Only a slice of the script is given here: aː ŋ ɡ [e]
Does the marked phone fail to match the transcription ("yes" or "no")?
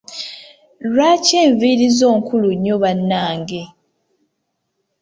no